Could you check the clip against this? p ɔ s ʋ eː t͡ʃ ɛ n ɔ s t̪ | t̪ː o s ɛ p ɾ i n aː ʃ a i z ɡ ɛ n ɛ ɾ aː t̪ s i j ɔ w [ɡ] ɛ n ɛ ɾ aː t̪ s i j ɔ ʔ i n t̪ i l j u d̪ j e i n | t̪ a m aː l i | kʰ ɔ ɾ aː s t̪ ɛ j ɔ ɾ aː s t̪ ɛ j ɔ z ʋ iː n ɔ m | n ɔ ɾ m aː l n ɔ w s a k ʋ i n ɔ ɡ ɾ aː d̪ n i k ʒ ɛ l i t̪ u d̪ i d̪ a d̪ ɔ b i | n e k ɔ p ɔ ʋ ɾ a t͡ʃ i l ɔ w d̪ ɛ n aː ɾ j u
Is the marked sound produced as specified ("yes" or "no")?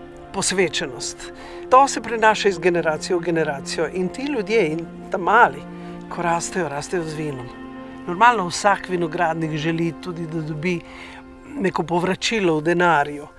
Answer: yes